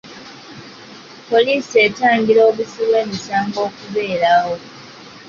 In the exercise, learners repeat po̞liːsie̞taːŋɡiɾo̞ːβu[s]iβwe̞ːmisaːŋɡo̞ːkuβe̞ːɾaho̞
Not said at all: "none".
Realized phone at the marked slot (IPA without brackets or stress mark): s